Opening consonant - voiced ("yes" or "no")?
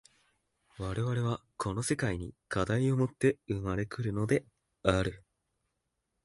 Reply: yes